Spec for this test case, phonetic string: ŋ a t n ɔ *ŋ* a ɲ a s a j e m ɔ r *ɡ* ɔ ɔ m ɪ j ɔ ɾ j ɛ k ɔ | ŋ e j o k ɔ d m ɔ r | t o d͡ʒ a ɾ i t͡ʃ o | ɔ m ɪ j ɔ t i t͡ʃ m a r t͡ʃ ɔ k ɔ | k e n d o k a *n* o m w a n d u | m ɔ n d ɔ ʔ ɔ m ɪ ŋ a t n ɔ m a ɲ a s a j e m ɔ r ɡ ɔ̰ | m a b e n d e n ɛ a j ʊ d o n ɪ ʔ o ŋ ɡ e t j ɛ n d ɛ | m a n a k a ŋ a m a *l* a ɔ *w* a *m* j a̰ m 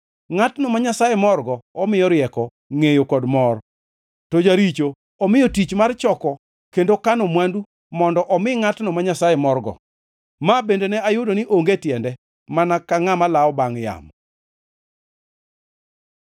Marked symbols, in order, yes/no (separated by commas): no, yes, yes, yes, no, no